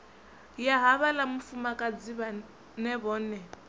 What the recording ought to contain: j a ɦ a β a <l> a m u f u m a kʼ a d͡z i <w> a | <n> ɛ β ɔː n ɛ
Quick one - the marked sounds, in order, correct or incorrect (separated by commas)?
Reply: correct, incorrect, correct